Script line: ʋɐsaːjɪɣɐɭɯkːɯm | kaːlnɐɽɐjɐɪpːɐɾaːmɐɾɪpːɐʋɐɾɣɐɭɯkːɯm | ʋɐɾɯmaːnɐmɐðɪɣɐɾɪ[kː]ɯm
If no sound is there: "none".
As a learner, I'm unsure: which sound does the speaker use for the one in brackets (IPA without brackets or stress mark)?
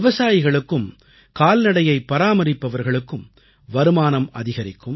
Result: kː